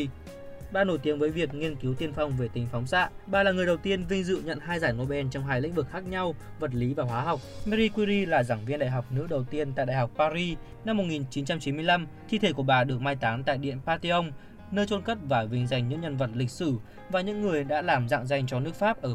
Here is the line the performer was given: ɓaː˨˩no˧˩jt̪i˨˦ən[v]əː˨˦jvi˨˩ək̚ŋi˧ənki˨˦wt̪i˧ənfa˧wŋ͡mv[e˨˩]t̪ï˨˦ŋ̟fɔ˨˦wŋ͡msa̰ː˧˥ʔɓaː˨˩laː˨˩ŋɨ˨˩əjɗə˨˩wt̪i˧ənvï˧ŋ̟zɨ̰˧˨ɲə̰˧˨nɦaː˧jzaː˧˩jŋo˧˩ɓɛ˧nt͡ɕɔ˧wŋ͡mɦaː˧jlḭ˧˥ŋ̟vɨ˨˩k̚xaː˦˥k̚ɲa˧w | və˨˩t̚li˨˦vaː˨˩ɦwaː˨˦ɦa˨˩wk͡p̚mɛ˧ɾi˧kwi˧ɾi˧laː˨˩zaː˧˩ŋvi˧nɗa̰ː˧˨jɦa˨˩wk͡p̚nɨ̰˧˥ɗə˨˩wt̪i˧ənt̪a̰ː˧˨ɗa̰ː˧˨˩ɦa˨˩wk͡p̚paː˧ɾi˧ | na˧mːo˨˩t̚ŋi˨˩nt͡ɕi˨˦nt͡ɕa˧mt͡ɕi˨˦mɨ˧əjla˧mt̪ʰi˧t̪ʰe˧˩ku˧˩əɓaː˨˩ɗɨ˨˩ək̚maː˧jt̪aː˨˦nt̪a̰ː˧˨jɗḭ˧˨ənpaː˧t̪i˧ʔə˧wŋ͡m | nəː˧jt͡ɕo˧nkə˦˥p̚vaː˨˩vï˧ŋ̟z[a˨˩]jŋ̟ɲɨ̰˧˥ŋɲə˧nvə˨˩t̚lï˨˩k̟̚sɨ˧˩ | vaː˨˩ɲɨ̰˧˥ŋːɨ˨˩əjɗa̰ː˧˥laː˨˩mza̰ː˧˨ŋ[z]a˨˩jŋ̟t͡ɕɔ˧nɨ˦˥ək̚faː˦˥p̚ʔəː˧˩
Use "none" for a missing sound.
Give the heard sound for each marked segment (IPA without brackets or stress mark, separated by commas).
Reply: v, e˨˩, a˨˩, z